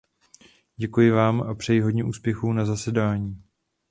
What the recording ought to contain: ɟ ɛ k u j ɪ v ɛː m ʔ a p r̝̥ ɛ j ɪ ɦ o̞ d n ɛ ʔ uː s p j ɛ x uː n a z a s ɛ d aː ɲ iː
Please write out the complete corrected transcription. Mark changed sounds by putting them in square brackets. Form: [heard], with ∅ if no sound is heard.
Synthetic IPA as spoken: ɟ ɛ k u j ɪ v [aː] m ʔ a p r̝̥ ɛ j ɪ ɦ o̞ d [ɲ] ɛ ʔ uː s p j ɛ x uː n a z a s ɛ d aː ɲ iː